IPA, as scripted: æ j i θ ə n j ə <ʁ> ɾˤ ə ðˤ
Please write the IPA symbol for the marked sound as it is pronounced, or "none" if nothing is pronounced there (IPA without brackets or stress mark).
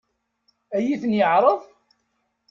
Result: ʕ